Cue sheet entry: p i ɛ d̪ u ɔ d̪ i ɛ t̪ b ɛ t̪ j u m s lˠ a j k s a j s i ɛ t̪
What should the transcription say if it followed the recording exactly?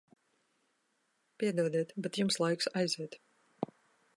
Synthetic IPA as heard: p i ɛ d̪ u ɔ d̪ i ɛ t̪ b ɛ t̪ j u m s lˠ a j k s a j z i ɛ t̪